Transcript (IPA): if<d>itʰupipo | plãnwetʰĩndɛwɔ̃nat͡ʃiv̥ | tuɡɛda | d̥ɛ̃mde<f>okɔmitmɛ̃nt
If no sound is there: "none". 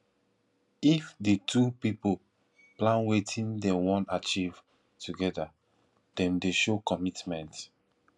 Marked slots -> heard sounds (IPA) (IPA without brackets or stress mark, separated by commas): d, ʃ